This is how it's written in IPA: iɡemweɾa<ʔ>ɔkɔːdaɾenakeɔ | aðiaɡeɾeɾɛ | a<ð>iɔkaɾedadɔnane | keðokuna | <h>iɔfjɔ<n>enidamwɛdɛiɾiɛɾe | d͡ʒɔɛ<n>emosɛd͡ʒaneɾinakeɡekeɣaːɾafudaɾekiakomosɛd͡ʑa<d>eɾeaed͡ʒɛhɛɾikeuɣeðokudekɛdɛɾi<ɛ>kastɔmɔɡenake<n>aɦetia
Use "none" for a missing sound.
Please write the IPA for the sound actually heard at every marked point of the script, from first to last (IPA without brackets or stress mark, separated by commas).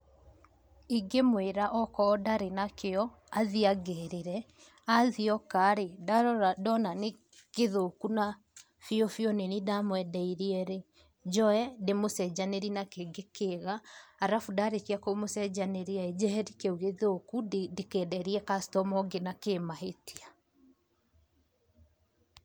ʔ, ð, f, n, d, n, ɛ, m